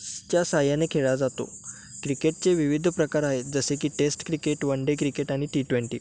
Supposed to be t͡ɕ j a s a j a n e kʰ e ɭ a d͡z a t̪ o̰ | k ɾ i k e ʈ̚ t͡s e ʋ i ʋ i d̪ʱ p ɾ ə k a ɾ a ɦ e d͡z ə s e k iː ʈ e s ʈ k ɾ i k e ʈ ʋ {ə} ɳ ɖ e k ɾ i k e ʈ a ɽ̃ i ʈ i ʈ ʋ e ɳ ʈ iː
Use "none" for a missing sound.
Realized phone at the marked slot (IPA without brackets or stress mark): ə